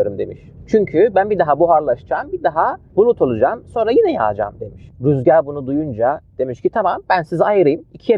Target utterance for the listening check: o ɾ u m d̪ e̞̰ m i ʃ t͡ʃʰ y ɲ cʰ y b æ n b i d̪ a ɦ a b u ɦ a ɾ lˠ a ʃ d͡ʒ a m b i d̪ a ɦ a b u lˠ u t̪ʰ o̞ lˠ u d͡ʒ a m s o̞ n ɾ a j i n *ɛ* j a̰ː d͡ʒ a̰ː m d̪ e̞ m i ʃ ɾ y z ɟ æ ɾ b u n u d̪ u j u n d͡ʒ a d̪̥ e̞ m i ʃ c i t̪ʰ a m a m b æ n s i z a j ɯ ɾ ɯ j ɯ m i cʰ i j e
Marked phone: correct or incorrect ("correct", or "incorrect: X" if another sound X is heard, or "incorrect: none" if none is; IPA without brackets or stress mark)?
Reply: correct